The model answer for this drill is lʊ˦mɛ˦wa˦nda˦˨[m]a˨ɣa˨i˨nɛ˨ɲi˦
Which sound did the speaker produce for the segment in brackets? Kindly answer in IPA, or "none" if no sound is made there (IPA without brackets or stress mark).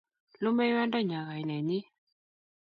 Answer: ɲ